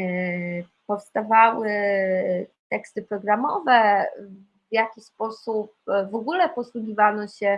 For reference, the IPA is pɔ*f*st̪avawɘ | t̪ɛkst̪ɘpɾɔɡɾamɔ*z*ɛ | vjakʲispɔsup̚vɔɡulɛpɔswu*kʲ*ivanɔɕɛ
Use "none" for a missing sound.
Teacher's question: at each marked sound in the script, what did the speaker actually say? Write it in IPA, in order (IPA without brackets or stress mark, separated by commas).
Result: f, v, ɡʲ